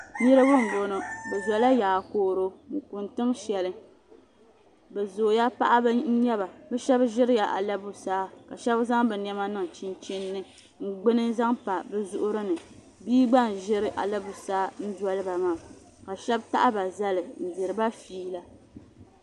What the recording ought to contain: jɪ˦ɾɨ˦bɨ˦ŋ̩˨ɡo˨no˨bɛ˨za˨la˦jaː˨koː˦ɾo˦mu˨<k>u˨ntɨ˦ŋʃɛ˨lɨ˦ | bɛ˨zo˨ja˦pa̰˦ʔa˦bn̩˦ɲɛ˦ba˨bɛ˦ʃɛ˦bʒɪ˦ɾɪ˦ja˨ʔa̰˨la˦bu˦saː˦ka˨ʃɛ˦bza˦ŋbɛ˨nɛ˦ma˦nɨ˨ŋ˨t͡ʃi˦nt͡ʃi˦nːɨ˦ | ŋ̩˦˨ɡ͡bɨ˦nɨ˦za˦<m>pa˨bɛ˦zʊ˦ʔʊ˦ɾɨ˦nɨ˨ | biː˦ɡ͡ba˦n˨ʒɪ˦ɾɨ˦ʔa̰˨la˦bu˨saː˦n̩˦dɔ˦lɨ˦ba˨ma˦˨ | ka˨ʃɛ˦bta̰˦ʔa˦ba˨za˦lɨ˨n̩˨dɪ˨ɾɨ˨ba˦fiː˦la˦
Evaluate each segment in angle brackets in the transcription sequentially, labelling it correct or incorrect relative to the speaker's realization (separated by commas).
correct, incorrect